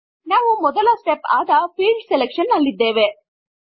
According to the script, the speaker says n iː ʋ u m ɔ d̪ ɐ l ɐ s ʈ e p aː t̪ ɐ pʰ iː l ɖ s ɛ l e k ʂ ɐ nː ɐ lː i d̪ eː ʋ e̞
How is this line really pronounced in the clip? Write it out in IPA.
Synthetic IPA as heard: n aː ʋ u m ɔ d̪ ɐ l ɐ s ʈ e p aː d̪ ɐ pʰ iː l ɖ s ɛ l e k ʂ ɐ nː ɐ lː i d̪ː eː ʋ e̞